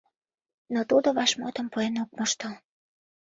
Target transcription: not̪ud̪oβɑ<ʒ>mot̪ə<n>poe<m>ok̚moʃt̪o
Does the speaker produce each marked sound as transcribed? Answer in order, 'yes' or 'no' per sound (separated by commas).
no, no, no